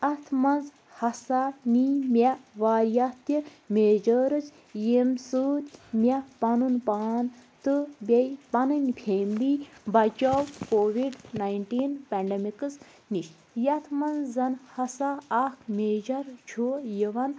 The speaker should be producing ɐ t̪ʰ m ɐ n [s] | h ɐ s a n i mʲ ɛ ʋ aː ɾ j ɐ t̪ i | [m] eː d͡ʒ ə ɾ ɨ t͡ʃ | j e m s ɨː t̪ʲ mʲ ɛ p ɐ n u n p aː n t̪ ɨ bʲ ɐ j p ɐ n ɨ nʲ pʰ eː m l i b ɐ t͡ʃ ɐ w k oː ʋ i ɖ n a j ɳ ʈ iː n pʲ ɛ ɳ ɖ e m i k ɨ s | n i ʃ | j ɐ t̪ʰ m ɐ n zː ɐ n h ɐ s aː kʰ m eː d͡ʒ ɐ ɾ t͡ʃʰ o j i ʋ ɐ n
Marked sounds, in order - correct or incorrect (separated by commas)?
incorrect, correct